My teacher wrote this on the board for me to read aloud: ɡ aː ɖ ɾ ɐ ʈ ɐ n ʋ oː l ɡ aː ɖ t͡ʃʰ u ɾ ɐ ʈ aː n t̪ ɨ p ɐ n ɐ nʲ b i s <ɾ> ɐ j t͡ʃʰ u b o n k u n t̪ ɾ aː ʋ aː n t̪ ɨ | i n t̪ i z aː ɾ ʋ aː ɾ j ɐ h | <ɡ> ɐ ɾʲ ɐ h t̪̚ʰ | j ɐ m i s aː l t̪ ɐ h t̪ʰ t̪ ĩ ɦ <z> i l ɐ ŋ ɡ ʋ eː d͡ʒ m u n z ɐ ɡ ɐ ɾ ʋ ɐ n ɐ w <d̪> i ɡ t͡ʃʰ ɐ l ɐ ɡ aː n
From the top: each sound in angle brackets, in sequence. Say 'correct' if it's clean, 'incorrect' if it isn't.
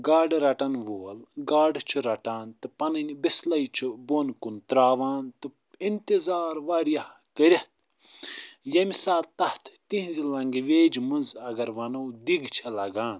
incorrect: l, incorrect: k, correct, correct

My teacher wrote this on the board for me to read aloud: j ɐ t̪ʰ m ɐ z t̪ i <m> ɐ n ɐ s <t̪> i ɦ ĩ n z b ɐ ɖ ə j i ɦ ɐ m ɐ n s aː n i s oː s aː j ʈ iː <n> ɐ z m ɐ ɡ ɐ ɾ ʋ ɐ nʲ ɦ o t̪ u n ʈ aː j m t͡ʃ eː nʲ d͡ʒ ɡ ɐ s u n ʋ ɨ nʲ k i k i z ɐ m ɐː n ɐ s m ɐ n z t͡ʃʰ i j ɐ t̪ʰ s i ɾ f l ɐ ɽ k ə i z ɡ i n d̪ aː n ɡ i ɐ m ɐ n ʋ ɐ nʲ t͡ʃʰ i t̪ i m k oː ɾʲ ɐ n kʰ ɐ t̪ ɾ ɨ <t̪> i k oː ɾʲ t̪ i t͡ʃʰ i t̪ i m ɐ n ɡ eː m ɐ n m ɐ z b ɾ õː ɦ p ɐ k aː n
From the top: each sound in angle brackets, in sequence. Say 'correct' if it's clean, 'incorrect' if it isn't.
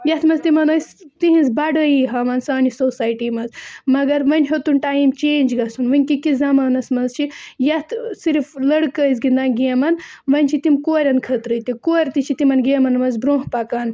correct, correct, incorrect: m, correct

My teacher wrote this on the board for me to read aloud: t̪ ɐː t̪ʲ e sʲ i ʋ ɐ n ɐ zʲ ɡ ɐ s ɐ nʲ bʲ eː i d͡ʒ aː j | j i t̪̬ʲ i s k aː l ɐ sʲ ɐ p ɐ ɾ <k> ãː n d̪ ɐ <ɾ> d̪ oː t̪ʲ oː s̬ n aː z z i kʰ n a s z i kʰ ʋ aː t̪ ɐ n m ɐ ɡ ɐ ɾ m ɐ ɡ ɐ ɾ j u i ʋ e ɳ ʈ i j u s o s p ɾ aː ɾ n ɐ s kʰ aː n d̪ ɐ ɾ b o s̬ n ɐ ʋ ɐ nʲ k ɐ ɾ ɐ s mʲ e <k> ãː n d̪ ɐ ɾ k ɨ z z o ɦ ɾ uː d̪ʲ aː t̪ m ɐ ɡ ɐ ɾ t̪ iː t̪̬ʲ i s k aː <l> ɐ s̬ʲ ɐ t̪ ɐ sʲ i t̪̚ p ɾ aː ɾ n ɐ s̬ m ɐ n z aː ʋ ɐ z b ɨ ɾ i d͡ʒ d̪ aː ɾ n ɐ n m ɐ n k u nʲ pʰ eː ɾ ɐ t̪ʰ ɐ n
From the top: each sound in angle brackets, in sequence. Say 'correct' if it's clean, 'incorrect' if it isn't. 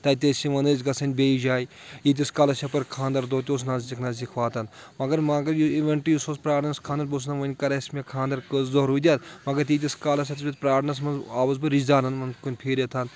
incorrect: kʰ, correct, incorrect: kʰ, correct

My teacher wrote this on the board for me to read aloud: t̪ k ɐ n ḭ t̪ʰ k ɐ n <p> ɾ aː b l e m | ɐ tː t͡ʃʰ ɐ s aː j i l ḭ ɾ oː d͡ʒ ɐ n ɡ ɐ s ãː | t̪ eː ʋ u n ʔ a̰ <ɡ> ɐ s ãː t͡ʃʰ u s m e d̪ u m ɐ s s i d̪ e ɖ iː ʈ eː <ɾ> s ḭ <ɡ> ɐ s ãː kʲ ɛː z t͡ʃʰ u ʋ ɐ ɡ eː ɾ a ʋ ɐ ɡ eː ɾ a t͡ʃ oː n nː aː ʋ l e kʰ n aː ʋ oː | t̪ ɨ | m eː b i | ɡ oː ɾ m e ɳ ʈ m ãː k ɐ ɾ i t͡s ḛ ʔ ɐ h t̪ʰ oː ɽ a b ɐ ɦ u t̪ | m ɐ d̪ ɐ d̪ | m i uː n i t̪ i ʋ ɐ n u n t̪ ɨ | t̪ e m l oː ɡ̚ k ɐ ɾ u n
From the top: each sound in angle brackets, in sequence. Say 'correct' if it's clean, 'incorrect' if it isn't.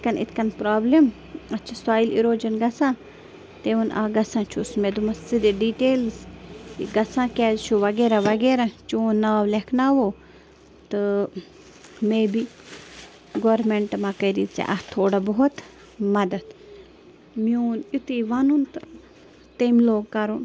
correct, correct, incorrect: l, correct

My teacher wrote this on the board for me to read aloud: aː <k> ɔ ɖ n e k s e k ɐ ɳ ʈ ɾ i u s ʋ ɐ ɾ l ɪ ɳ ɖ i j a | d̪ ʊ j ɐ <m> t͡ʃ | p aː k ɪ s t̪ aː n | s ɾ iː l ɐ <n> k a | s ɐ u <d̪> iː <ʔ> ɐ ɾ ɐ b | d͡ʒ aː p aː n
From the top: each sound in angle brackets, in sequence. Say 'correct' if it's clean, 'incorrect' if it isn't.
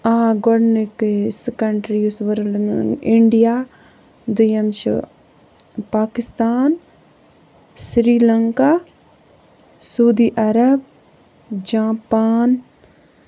incorrect: ɡ, correct, incorrect: ŋ, correct, correct

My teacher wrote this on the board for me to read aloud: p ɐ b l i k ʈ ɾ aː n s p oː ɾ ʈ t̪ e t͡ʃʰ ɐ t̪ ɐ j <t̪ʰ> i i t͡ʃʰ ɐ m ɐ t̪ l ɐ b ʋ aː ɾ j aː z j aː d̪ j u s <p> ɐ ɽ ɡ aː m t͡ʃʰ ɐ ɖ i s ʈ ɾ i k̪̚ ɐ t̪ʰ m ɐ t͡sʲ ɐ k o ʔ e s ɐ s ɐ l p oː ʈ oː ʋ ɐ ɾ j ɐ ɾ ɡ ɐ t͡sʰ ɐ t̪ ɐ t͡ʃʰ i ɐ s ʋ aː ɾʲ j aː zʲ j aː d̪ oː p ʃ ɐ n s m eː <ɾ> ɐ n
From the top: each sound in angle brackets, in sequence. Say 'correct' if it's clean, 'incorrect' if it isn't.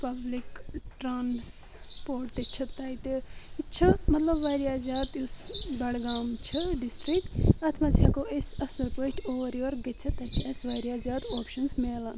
incorrect: t̪, incorrect: b, incorrect: l

